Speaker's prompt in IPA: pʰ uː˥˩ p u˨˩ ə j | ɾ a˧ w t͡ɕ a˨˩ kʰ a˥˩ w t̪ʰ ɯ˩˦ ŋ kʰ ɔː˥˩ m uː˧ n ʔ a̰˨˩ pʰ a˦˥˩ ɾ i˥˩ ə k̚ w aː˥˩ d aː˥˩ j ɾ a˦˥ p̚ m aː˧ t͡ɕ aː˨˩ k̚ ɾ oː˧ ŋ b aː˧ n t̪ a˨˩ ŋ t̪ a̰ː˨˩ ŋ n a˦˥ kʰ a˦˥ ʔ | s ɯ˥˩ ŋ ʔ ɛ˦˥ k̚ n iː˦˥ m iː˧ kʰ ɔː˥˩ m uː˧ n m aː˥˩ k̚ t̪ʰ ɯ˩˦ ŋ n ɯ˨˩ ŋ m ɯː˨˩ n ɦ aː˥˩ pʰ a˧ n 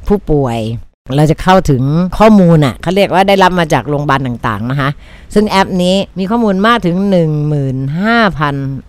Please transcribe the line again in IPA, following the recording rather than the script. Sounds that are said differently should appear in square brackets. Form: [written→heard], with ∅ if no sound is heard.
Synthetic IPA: pʰ uː˥˩ p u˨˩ ə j | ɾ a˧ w t͡ɕ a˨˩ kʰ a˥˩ w t̪ʰ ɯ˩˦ ŋ kʰ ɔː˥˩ m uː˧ n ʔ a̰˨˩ [pʰ→kʰ] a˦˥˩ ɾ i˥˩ ə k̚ w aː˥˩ d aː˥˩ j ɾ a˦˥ p̚ m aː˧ t͡ɕ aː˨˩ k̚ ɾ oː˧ ŋ b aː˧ n t̪ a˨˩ ŋ t̪ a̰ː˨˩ ŋ n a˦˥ kʰ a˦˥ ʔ | s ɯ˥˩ ŋ ʔ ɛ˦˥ [k̚→p̚] n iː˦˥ m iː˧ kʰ ɔː˥˩ m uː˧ n m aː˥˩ k̚ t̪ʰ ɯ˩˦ ŋ n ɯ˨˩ ŋ m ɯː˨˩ n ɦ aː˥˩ pʰ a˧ n